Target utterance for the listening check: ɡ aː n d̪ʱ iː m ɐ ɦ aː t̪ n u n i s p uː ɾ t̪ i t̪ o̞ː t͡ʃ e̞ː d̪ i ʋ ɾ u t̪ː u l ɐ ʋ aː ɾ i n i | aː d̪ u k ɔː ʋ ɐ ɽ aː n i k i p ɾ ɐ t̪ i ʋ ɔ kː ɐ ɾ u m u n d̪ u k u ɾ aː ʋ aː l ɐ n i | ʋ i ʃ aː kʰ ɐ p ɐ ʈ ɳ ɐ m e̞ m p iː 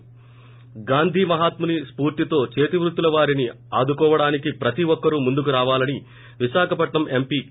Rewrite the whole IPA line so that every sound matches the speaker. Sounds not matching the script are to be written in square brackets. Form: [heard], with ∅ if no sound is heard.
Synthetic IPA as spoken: ɡ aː n d̪ʱ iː m ɐ ɦ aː t̪ [m] u n i s p uː ɾ t̪ i t̪ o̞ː t͡ʃ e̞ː [t̪] i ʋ ɾ u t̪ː u l ɐ ʋ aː ɾ i n i | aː d̪ u k ɔː ʋ ɐ ɽ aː n i k i p ɾ ɐ t̪ i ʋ ɔ kː ɐ ɾ u m u n d̪ u k u ɾ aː ʋ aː l ɐ n i | ʋ i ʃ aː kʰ ɐ p ɐ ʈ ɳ ɐ m e̞ m p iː